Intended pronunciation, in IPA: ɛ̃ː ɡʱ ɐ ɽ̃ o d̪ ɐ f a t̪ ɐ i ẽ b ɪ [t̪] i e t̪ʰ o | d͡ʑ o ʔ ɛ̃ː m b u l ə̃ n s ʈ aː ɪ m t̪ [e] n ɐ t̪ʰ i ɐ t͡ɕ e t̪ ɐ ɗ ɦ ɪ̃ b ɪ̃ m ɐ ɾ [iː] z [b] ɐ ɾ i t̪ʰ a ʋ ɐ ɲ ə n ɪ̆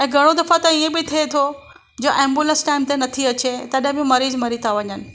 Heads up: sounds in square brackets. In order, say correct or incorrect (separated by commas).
incorrect, correct, correct, incorrect